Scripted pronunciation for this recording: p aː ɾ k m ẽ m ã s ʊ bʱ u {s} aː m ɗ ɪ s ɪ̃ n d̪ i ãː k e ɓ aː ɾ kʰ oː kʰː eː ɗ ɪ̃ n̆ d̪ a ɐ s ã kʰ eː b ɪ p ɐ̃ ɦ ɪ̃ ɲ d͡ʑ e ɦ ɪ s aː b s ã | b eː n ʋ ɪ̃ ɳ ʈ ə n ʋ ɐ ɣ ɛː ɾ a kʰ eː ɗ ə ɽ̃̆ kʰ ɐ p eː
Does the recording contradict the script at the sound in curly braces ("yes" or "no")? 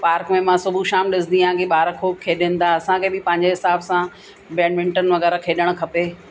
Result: yes